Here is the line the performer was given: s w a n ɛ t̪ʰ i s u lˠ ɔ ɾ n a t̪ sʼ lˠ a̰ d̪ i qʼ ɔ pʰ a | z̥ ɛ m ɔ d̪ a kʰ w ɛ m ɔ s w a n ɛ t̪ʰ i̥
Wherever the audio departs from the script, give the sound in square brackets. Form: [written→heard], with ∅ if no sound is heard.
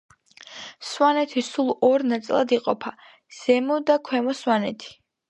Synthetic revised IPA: s w a n ɛ t̪ʰ i s u lˠ ɔ ɾ n a t̪ sʼ lˠ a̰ d̪ i qʼ ɔ pʰ a | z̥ ɛ m ɔ d̪ a kʰ w ɛ m ɔ s w a n ɛ t̪ʰ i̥